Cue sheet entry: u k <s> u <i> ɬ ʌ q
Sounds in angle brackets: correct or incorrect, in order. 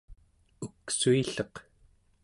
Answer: correct, correct

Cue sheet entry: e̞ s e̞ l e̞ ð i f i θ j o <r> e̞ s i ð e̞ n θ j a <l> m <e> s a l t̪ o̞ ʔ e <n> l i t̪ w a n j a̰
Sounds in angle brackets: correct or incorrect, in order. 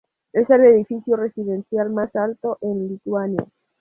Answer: correct, correct, incorrect, correct

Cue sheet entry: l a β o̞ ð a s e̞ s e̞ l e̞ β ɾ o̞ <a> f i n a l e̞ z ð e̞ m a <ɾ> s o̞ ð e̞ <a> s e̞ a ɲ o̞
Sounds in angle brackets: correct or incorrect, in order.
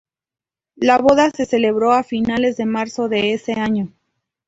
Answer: correct, correct, incorrect

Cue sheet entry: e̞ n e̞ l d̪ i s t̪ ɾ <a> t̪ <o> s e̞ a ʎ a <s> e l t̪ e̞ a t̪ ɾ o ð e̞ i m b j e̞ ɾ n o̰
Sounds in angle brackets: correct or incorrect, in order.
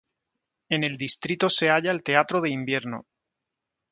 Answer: incorrect, correct, incorrect

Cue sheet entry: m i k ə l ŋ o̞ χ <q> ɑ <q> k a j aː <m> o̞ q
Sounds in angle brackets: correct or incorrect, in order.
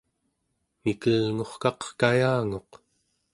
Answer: incorrect, correct, incorrect

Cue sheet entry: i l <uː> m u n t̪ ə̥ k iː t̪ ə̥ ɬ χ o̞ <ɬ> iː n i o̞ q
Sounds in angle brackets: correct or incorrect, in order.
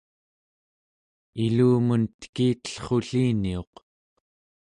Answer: correct, correct

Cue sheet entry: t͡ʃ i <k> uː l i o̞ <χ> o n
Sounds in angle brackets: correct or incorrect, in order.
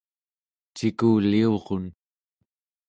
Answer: correct, incorrect

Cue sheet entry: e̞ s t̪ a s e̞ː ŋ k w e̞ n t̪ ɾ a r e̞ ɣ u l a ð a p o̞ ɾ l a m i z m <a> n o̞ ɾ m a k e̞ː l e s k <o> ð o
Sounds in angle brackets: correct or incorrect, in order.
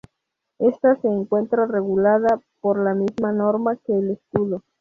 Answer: correct, incorrect

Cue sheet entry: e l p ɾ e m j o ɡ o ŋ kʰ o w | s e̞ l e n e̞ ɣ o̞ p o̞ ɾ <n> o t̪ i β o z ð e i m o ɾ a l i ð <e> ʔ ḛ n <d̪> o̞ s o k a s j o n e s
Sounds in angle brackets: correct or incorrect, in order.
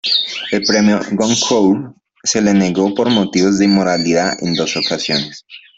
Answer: incorrect, incorrect, correct

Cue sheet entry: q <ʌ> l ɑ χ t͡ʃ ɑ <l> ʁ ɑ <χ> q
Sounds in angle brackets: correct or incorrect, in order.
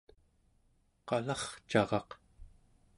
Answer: incorrect, incorrect, incorrect

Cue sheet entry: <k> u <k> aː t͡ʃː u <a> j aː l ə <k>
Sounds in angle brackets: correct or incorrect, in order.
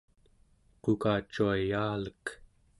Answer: incorrect, correct, correct, correct

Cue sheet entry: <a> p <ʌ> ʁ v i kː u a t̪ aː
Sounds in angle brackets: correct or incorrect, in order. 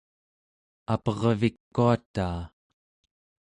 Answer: correct, correct

